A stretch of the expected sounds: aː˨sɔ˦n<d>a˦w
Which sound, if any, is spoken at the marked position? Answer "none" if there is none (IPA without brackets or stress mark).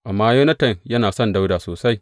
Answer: d